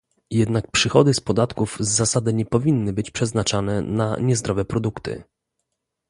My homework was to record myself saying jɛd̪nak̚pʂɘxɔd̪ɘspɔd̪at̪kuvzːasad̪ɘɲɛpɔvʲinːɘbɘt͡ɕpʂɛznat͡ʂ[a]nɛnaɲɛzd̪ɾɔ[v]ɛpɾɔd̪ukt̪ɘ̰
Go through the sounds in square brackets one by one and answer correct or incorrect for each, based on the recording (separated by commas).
correct, correct